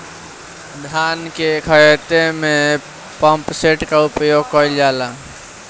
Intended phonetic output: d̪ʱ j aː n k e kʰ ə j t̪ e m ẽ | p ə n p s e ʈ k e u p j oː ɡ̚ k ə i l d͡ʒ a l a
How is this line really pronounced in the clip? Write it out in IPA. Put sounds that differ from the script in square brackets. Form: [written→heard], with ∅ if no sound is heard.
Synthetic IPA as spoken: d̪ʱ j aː n k e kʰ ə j t̪ e m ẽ | p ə [n→m] p s e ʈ k [e→a] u p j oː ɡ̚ k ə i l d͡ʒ a l a

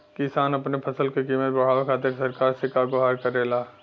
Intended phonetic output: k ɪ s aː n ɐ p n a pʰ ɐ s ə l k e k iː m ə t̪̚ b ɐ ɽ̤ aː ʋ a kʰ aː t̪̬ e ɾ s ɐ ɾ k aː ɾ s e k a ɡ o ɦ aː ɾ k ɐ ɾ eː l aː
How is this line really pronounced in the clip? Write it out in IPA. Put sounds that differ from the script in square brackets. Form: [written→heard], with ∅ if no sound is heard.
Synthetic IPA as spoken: k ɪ s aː n ɐ p n [a→e] pʰ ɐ s ə l k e k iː m ə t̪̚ b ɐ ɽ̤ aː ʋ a kʰ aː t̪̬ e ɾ s ɐ ɾ k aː ɾ s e k a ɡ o ɦ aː ɾ k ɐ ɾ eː l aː

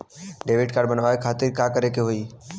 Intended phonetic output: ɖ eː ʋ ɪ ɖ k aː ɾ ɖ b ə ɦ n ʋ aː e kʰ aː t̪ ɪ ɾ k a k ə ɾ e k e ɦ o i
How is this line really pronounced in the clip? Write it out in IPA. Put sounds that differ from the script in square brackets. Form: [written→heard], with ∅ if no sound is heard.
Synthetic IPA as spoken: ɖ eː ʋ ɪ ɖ k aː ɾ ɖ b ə [ɦ→∅] n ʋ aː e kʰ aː t̪ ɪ ɾ k a k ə ɾ e k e ɦ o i

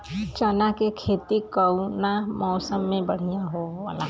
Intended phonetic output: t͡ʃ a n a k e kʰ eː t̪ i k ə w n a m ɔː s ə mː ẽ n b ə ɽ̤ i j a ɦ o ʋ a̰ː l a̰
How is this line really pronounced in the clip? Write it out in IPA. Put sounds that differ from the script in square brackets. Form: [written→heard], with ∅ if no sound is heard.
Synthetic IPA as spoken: t͡ʃ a n a k e kʰ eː t̪ i k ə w n a m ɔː s ə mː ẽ [n→∅] b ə ɽ̤ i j a ɦ o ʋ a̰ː l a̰

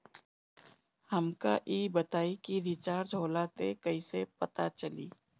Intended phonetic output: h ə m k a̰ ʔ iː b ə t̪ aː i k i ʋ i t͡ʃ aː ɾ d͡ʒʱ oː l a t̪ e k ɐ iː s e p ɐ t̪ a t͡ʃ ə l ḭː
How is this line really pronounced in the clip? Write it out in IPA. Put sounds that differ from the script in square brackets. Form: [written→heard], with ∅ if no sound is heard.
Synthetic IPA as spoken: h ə m k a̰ ʔ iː b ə t̪ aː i k i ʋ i t͡ʃ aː ɾ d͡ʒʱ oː l a t̪ e k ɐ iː s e p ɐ t̪ a t͡ʃ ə l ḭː

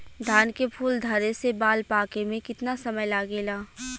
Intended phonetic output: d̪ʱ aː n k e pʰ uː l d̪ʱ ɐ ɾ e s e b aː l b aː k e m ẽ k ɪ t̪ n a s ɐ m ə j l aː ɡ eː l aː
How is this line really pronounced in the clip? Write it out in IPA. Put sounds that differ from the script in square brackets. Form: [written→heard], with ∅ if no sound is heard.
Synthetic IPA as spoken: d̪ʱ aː n k e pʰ uː l d̪ʱ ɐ ɾ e s e b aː l [b→p] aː k e m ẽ k ɪ t̪ n a s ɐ m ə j l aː ɡ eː l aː

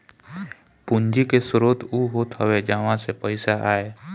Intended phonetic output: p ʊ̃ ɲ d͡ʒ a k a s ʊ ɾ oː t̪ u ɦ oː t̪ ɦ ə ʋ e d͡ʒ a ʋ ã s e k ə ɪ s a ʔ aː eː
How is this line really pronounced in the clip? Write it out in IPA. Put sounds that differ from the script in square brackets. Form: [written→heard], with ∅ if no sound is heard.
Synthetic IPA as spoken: p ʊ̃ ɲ d͡ʒ [a→i] k [a→e] s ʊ ɾ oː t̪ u ɦ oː t̪ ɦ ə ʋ e d͡ʒ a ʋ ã s e [k→p] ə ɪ s a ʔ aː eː

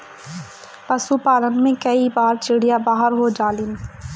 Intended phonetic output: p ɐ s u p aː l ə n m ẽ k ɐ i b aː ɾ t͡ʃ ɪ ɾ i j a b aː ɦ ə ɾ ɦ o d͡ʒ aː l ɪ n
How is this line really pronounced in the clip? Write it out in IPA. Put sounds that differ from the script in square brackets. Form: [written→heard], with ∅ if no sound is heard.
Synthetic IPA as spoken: p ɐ s u p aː l ə n m ẽ k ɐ i b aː ɾ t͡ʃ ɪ [ɾ→ɽ] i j a b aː ɦ ə ɾ ɦ o d͡ʒ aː l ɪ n

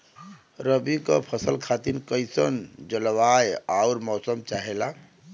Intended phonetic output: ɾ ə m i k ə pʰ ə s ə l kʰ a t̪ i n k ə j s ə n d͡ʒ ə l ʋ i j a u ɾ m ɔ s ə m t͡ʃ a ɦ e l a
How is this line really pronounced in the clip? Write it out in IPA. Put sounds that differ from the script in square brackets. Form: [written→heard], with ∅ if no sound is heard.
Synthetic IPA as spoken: ɾ ə [m→b] i k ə pʰ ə s ə l kʰ a t̪ i n k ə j s ə n d͡ʒ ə l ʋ [i→a] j a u ɾ m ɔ s ə m t͡ʃ a ɦ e l a

